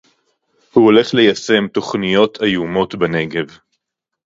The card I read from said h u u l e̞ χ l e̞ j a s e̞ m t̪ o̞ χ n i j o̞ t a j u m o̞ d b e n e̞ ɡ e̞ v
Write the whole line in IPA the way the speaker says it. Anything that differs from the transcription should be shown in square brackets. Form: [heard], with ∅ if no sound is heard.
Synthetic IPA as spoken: h u [o] l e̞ χ l e̞ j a s e̞ m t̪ o̞ χ n i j o̞ t a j u m o̞ [t] b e n e̞ ɡ e̞ v

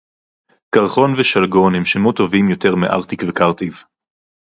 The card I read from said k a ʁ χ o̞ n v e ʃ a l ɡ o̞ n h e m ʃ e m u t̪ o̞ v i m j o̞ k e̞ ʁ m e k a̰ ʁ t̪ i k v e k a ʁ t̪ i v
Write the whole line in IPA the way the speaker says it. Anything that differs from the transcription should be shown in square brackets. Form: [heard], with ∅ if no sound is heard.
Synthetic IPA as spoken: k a ʁ χ o̞ n v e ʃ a l ɡ o̞ n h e m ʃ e m u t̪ o̞ v i m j o̞ [t] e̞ ʁ m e [ʔ] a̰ ʁ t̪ i k v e k a ʁ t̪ i v

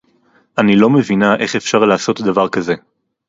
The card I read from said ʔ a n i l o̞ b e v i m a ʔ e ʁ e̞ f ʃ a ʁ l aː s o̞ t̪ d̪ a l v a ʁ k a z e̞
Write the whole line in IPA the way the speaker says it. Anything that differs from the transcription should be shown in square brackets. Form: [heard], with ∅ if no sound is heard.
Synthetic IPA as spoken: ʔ a n i l o̞ [m] e v i [n] a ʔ e [χ] e̞ f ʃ a ʁ l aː s o̞ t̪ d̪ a [∅] v a ʁ k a z e̞

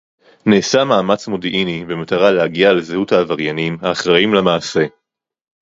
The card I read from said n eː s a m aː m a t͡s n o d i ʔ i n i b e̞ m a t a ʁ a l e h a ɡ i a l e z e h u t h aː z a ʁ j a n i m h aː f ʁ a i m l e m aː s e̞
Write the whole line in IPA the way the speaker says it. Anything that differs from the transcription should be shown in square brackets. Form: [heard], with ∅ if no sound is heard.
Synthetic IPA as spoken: n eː s a m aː m a t͡s [m] o d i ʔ i n i b e̞ m a t a ʁ a l e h a ɡ i a l e z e h u t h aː [v] a ʁ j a n i m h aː [χ] ʁ a i m l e m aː s e̞

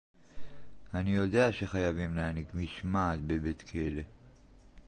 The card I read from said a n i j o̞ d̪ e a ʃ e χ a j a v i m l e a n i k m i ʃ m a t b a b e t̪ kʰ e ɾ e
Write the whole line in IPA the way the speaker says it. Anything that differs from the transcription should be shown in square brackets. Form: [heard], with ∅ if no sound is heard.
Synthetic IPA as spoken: a n i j o̞ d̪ e a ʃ e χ a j a v i m l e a n i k m i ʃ m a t b [e] b e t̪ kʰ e [l] e

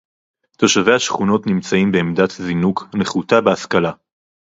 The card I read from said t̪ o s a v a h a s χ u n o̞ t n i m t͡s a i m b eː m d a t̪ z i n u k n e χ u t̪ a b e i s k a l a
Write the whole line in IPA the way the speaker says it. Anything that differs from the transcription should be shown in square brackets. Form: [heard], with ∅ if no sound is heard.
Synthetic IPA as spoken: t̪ o [ʃ] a v [e] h a [ʃ] χ u n o̞ t n i m t͡s a i m b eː m d a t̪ z i n u k n e χ u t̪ a b e [a] s k a l a

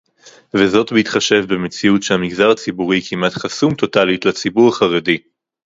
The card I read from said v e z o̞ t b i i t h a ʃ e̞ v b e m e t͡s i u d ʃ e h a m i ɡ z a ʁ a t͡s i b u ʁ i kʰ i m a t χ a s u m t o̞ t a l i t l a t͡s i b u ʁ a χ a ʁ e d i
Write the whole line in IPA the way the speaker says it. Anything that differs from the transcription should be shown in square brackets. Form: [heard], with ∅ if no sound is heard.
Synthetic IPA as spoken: v e z o̞ t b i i t [χ] a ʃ e̞ v b e m e t͡s i u [t] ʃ e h a m i ɡ z a ʁ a t͡s i b u ʁ i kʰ i m a t χ a s u m t o̞ t a l i t l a t͡s i b u ʁ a χ a ʁ e d i

